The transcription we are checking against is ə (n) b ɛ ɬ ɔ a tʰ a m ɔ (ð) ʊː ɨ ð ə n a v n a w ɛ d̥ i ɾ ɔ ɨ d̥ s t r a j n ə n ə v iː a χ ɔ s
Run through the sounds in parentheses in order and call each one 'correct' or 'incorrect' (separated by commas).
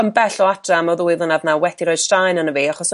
incorrect, correct